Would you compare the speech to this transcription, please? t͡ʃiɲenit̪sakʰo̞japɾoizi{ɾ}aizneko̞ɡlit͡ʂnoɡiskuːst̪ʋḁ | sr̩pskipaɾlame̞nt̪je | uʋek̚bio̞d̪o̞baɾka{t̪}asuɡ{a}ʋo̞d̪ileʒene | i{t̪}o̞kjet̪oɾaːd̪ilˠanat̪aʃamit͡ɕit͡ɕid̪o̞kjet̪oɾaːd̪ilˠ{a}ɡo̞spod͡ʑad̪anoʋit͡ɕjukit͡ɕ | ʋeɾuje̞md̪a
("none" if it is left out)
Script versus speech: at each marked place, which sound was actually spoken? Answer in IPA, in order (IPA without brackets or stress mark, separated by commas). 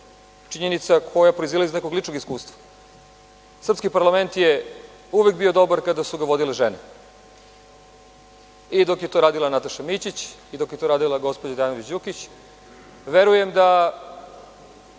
l, d̪, a, d̪, a